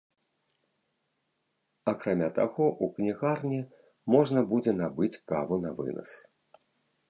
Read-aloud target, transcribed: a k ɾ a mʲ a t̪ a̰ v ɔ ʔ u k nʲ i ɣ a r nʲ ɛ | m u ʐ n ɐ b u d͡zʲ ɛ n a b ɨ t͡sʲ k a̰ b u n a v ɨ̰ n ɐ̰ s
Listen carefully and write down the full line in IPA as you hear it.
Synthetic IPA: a k ɾ a mʲ a t̪ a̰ ɣ ɔ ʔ u k nʲ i ɣ a r nʲ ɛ | m ɔ ʐ n ɐ b u d͡zʲ ɛ n a b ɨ t͡sʲ k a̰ v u n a v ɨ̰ n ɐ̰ s